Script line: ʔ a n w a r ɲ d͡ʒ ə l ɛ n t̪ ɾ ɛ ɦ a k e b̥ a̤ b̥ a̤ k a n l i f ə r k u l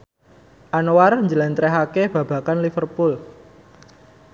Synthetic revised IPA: ʔ a n w a r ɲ d͡ʒ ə l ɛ n t̪ ɾ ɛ ɦ a k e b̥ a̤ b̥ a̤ k a n l i f ə r p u l